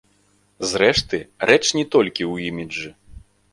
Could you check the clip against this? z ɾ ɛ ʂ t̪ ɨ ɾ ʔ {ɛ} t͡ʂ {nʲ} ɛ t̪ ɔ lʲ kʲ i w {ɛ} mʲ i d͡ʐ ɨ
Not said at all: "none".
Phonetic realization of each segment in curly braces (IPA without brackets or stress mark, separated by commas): ɛ, nʲ, i